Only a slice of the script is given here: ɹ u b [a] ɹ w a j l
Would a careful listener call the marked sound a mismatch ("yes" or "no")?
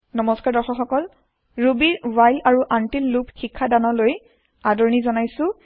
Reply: yes